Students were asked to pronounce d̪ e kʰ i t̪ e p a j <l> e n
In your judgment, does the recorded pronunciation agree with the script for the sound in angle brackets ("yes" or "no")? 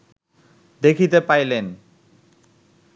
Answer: yes